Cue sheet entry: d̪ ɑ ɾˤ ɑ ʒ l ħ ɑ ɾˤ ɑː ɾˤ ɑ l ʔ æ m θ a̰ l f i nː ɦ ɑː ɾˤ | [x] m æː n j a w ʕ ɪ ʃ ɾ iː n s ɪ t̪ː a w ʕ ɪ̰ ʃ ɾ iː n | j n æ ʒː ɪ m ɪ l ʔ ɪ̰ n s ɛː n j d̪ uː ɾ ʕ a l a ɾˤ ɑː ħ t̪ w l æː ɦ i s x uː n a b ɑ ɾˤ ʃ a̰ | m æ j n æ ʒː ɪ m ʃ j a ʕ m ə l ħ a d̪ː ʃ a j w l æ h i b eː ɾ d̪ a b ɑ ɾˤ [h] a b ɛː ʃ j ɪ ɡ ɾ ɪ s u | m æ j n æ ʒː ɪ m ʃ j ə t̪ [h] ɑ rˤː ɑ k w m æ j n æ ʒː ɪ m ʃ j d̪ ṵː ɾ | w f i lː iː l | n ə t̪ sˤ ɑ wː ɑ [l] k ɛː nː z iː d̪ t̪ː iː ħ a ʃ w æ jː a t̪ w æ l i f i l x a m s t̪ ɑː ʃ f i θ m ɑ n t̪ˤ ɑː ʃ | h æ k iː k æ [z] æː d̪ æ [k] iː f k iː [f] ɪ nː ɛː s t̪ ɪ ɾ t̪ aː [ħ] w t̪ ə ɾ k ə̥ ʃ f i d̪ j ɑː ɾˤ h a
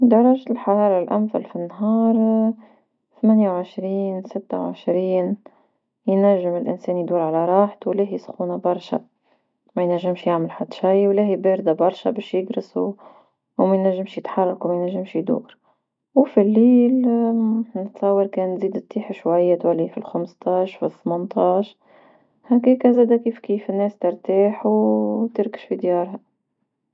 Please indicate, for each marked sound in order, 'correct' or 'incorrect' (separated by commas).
incorrect, incorrect, incorrect, incorrect, correct, correct, correct, correct